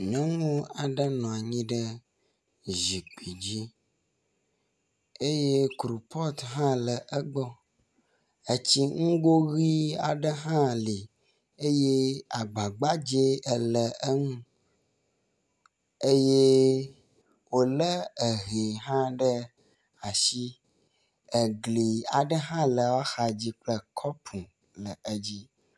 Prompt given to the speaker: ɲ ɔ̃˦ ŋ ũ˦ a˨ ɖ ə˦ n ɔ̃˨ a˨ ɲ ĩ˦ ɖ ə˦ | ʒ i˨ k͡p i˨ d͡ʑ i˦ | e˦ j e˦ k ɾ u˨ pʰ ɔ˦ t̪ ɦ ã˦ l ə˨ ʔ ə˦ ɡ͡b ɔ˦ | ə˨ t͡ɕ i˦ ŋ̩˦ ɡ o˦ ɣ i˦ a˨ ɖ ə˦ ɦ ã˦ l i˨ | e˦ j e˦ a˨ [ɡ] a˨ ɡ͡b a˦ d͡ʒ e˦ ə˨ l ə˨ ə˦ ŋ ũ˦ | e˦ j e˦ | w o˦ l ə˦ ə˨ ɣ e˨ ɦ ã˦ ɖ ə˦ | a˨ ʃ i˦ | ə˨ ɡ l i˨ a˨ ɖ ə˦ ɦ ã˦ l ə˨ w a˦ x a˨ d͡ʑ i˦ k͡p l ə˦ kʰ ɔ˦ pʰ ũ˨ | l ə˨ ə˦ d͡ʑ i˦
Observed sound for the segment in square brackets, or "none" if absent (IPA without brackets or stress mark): ɡ͡b